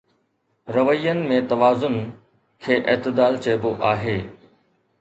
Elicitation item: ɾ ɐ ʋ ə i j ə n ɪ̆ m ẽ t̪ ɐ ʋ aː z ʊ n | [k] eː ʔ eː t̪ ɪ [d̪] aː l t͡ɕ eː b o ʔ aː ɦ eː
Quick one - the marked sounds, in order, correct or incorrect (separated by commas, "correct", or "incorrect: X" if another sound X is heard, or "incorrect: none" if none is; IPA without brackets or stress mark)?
incorrect: kʰ, correct